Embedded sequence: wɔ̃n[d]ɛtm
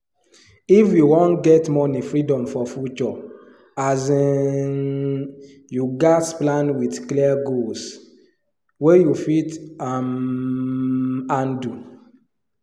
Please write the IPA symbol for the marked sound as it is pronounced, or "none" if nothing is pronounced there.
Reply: ɡ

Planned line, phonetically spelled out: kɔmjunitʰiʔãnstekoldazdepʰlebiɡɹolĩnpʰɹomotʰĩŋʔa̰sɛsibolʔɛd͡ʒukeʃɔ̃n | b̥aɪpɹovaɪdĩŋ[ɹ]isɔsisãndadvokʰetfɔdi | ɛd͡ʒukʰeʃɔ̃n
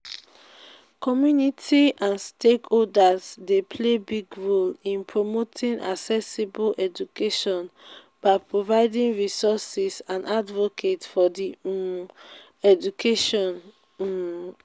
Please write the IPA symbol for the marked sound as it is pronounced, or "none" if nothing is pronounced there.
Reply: ɹ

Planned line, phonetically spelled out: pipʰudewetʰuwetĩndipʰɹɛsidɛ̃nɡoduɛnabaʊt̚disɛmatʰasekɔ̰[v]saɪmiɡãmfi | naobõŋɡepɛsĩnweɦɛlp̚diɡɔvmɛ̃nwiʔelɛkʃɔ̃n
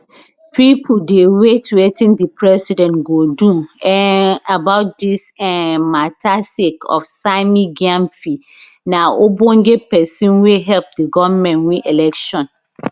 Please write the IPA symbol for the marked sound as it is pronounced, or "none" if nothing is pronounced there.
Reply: f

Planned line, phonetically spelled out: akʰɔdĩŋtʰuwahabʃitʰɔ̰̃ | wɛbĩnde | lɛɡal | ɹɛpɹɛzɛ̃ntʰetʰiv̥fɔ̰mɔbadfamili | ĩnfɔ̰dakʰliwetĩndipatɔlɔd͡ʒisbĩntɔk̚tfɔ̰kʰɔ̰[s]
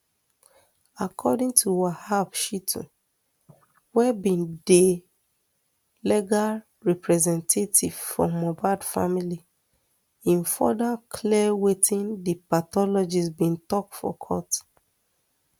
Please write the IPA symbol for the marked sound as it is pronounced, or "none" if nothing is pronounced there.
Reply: t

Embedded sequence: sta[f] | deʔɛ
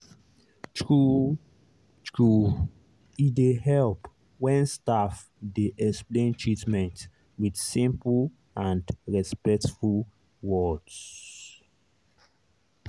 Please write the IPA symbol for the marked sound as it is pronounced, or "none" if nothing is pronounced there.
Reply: f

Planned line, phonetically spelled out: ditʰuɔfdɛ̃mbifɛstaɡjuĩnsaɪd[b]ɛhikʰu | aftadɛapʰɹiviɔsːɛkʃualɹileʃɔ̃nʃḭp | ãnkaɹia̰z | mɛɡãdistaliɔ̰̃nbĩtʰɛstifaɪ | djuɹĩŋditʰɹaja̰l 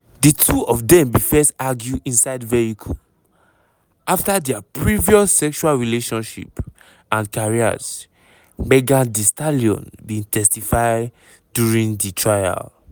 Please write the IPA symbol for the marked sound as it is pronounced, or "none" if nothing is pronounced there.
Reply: v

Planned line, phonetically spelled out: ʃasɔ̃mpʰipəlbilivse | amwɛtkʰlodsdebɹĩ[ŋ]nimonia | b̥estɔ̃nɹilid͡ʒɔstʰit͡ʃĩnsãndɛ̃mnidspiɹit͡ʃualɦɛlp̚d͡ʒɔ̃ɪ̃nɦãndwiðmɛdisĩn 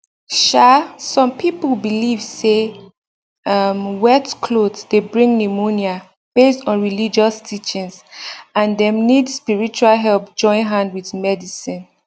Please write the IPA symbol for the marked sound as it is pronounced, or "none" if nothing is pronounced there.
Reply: ŋ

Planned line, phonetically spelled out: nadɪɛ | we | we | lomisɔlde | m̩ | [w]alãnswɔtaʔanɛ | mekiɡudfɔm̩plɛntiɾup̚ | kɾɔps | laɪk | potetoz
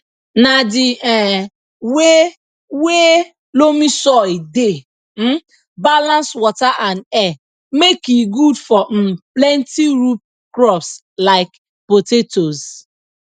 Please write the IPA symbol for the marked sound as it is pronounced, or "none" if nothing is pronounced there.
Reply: b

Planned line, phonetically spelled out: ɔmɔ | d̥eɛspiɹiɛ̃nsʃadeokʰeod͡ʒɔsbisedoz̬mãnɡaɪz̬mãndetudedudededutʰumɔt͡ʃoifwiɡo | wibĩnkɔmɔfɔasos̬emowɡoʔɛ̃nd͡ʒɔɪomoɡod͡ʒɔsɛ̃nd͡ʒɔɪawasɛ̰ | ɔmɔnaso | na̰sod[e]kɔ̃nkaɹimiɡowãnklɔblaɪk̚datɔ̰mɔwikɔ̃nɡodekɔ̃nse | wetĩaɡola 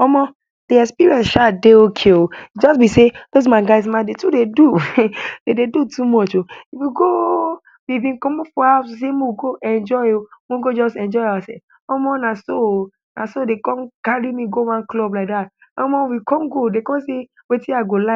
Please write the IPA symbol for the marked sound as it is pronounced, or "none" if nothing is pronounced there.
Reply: e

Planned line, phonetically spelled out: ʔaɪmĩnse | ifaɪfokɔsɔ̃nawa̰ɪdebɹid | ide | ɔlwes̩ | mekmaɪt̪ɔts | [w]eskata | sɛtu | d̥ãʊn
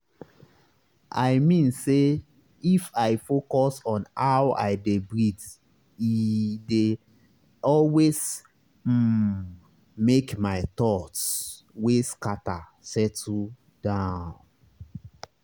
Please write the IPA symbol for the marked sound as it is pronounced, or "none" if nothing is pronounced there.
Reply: w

